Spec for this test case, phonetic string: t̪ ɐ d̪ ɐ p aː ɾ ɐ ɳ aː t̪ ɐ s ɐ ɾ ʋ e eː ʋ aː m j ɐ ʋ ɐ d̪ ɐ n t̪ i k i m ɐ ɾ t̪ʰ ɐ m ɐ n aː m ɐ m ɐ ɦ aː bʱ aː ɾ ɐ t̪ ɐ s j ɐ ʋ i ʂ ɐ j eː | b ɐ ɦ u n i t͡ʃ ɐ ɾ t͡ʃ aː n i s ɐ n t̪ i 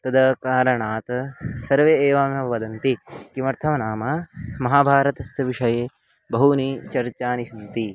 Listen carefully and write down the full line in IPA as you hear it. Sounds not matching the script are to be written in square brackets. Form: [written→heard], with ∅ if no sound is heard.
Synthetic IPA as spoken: t̪ ɐ d̪ ɐ [p→k] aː ɾ ɐ ɳ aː t̪ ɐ s ɐ ɾ ʋ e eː ʋ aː m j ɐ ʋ ɐ d̪ ɐ n t̪ i k i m ɐ ɾ t̪ʰ ɐ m ɐ n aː m ɐ m ɐ ɦ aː bʱ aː ɾ ɐ t̪ ɐ s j ɐ ʋ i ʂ ɐ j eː | b ɐ ɦ u n i t͡ʃ ɐ ɾ t͡ʃ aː n i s ɐ n t̪ i